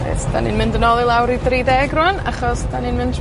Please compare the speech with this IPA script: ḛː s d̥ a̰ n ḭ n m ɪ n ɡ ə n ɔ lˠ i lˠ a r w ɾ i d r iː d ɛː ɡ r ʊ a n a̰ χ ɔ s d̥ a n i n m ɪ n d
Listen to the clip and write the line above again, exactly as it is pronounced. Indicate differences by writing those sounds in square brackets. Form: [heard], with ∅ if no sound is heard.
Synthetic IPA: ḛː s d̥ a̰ n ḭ n m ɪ n [d] ə n ɔ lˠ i lˠ a [∅] w ɾ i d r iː d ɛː ɡ r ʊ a n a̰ χ ɔ s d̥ a n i n m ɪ n d